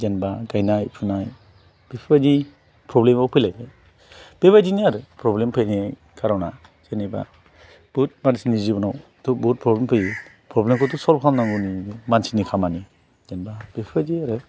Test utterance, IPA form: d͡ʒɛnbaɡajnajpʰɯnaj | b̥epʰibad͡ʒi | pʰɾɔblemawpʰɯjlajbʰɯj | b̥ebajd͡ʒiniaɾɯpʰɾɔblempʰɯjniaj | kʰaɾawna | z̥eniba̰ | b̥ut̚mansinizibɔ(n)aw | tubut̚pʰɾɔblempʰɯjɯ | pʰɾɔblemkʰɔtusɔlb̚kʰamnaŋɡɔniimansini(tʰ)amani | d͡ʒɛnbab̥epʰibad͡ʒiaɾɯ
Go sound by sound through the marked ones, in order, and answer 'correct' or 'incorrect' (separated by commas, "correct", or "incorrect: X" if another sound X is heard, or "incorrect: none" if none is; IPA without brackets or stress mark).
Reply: correct, incorrect: kʰ